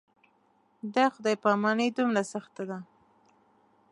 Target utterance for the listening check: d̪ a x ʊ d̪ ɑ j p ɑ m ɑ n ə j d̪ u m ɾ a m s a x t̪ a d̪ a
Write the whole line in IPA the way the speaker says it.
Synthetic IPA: d̪ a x ʊ d̪ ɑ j p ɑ m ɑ n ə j d̪ u m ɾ a s a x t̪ a d̪ a